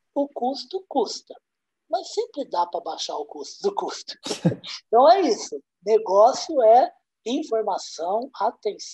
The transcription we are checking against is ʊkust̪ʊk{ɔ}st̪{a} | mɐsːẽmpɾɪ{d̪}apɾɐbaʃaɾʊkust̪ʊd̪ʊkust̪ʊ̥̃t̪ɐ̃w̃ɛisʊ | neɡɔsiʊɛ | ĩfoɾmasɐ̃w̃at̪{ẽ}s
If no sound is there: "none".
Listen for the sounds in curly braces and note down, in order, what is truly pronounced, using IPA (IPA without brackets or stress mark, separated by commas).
u, ɐ, d̪, ẽ